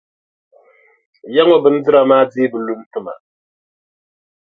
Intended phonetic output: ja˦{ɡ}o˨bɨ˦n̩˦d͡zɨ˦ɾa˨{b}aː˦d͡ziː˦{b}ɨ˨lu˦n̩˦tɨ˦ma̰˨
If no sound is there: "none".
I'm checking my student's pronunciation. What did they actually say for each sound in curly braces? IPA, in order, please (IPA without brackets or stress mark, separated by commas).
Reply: ŋ, m, b